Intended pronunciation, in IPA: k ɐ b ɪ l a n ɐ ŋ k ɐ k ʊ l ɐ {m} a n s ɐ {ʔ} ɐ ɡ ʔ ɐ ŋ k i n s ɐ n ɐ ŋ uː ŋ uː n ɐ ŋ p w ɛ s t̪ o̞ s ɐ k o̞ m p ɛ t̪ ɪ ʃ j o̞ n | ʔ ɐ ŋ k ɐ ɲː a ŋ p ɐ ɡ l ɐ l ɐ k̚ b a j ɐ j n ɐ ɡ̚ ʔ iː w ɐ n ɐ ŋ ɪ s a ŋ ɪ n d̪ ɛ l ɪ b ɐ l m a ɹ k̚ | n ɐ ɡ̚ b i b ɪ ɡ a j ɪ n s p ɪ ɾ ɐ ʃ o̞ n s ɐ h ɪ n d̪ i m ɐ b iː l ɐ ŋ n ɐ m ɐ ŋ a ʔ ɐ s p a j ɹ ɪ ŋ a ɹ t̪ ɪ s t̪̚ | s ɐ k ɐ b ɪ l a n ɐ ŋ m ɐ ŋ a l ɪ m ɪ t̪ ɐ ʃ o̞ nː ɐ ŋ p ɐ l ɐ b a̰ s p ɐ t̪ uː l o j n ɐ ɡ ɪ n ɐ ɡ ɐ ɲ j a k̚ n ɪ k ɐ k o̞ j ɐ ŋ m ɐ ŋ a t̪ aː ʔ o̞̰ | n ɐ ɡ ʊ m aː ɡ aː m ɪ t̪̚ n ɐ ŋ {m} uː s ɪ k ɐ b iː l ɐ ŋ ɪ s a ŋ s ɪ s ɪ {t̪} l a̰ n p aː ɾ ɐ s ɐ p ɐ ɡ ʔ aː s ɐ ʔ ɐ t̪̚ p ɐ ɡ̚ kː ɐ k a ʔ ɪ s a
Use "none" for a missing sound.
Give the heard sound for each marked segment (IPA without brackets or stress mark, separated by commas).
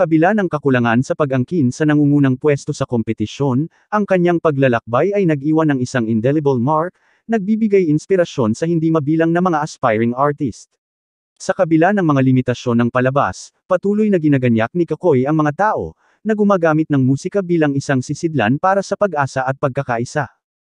ŋ, p, m, d̪